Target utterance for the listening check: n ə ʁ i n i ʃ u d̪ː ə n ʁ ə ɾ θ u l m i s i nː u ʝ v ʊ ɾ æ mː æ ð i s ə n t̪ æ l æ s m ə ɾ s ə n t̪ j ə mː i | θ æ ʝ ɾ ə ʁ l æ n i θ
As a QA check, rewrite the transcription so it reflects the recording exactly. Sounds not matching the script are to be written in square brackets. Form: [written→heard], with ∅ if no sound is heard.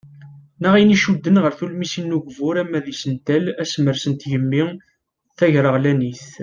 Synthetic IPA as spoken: n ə ʁ i n i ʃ u d̪ː ə n ʁ ə ɾ θ u l m i s i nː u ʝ v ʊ ɾ æ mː æ ð i s ə n t̪ æ l æ s m ə ɾ s ə n t̪ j ə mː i | θ æ ʝ ɾ ə ʁ l æ n i θ